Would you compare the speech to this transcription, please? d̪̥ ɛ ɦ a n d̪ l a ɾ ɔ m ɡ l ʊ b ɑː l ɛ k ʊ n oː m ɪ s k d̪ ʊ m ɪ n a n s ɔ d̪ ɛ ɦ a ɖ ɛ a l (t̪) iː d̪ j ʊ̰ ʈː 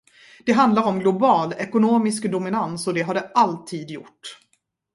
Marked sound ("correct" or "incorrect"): incorrect